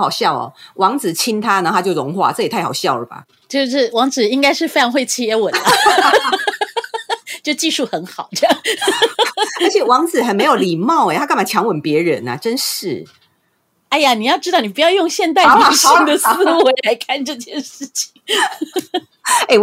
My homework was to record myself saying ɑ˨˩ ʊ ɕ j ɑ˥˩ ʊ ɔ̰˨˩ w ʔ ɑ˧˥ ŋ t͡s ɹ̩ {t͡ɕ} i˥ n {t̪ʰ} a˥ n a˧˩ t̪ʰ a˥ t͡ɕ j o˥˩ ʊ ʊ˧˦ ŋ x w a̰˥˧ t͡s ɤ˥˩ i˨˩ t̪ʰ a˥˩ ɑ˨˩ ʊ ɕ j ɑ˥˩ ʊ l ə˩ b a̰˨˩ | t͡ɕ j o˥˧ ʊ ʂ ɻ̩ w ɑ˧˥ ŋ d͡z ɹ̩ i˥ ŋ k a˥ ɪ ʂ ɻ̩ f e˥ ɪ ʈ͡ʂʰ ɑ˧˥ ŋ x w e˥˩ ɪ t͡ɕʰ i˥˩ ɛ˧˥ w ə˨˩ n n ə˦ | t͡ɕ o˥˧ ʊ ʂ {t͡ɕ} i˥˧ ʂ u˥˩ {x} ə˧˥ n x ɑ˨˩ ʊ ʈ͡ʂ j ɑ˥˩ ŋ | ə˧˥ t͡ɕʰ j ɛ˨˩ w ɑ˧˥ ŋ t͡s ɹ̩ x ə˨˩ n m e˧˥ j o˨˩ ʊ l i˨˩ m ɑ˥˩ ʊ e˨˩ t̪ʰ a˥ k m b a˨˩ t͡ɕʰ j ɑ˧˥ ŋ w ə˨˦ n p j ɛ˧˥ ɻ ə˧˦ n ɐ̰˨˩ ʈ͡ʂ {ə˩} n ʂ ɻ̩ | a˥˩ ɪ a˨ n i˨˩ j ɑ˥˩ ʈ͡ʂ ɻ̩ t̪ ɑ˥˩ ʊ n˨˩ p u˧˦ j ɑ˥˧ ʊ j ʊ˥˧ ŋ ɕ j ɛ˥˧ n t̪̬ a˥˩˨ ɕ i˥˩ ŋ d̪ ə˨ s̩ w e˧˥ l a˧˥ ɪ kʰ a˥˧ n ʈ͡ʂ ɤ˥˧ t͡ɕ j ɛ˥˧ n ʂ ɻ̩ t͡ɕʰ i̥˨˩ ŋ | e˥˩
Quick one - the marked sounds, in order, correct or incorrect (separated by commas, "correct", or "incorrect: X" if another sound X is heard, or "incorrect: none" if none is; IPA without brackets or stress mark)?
incorrect: t͡ɕʰ, correct, correct, correct, incorrect: ə˦˥